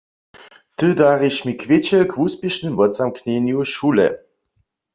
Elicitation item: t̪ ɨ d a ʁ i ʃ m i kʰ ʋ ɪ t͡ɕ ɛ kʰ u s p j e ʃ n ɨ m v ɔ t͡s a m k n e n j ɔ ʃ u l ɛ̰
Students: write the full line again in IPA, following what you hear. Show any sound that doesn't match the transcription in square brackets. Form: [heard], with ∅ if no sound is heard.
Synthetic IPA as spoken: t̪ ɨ d a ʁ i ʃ m i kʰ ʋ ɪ t͡ɕ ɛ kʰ u s p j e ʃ n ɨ m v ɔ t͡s a m k n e n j [u] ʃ u l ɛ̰